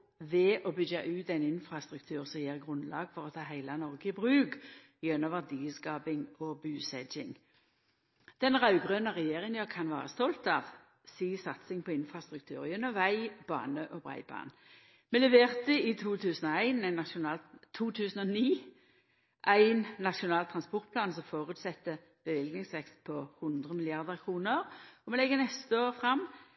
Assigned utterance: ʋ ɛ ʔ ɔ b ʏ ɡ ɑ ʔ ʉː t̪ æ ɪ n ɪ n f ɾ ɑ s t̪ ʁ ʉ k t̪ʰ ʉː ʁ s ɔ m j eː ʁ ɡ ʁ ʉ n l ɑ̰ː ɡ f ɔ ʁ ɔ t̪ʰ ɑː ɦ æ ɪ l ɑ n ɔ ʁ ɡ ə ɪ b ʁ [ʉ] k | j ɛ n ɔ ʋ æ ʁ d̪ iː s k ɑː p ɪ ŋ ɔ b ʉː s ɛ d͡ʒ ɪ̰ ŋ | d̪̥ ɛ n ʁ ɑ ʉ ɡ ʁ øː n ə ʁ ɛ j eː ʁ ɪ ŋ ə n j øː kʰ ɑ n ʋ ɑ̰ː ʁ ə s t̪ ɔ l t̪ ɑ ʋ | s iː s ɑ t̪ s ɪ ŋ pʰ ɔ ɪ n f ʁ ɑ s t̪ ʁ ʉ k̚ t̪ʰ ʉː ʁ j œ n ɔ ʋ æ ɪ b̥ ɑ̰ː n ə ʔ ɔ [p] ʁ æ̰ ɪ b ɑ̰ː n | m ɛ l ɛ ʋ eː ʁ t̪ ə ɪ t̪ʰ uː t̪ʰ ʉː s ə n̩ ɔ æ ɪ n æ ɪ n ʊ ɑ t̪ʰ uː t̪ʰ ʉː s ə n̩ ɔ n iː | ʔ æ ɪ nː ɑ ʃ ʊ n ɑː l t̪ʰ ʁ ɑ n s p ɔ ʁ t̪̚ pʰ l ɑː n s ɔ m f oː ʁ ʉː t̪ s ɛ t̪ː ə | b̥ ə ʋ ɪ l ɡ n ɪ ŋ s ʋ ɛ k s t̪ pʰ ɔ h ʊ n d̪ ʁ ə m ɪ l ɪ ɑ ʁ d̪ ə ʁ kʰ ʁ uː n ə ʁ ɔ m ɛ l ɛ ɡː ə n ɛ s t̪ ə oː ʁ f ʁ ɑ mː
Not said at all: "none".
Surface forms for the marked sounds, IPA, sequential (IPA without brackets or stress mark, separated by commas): ʉː, b